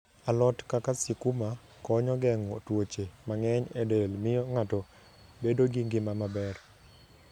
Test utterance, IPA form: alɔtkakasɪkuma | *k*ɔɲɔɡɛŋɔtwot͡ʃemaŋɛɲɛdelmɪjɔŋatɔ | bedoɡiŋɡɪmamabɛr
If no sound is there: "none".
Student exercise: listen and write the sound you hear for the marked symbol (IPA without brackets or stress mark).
k